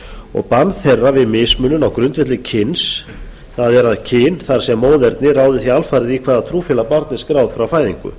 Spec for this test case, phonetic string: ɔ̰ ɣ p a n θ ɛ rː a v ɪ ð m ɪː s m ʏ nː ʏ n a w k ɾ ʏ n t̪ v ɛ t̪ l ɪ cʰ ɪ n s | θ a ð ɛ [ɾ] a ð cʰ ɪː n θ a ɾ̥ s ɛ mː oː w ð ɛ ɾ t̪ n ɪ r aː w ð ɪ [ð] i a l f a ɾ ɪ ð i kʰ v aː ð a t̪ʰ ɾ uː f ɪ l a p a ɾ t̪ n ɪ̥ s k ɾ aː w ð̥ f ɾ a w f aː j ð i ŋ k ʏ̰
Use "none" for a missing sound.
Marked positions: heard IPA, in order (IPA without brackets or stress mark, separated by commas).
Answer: ɾ, θ